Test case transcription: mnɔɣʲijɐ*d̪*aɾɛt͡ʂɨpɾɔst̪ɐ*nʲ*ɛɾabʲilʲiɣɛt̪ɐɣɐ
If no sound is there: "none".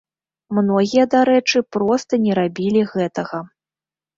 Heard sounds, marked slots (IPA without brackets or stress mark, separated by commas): d̪, nʲ